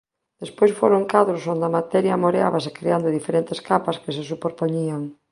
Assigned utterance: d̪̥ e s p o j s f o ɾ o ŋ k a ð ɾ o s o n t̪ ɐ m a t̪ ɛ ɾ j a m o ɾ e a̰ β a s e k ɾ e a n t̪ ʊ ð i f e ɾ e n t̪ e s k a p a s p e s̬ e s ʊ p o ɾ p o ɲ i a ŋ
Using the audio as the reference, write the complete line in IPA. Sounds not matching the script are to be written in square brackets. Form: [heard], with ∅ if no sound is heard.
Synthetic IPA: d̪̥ e s p o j s f o ɾ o ŋ k a ð ɾ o s o n [d̪] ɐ m a t̪ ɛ ɾ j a m o ɾ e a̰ β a s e k ɾ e a n [d̪] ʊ ð i f e ɾ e n t̪ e s k a p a s [k] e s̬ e s [u] p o ɾ p o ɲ i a ŋ